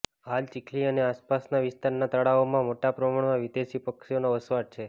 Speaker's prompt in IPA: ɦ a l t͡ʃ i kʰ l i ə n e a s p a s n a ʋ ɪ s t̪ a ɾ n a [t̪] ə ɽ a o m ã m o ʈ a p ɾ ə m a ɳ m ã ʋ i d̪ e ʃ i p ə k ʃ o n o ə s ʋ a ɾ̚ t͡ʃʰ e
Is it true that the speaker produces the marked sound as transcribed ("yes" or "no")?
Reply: yes